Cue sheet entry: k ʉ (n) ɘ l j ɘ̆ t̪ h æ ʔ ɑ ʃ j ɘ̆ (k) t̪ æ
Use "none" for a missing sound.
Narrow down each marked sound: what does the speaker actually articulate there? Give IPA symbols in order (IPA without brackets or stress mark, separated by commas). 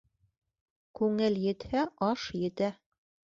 ŋ, none